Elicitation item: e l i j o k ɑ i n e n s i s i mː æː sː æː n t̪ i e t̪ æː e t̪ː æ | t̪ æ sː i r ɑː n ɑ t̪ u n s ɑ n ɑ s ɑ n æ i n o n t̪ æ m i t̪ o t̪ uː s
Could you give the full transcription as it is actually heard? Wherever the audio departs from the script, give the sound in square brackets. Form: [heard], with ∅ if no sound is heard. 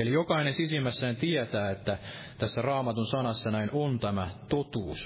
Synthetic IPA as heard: e l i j o k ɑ i n e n s i s i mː [æ] sː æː n t̪ i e t̪ æː e t̪ː æ | t̪ æ sː [æ] r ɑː [m] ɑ t̪ u n s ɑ n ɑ [sː] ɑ n æ i n o n t̪ æ m [æ] t̪ o t̪ uː s